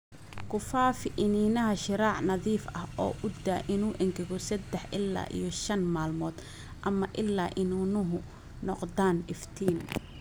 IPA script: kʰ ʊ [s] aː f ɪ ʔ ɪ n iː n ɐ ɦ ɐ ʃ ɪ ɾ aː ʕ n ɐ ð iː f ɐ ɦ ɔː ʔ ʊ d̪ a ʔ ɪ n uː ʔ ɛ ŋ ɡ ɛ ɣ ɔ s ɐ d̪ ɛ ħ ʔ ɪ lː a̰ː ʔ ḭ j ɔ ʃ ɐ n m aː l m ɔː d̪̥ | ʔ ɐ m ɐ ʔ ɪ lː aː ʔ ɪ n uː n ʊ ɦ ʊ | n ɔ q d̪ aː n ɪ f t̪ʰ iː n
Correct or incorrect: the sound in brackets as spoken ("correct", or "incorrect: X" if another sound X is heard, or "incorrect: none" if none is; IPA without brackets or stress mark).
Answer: incorrect: f